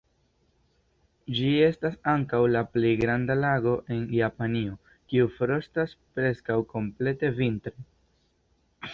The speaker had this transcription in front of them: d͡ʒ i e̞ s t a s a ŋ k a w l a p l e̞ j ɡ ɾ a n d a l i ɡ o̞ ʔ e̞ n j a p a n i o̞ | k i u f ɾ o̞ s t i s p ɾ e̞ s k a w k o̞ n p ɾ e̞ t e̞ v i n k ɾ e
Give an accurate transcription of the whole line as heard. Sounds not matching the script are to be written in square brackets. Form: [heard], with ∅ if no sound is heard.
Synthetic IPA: d͡ʒ i e̞ s t a s a ŋ k a w l a p l e̞ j ɡ ɾ a n d a l [a] ɡ o̞ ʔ e̞ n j a p a n i o̞ | k i u f ɾ o̞ s t [a] s p ɾ e̞ s k a w k o̞ [m] p [l] e̞ t e̞ v i n [t] ɾ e